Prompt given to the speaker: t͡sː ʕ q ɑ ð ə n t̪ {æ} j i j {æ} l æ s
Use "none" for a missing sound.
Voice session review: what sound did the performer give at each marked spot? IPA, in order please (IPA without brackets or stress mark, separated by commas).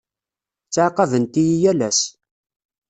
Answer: i, æ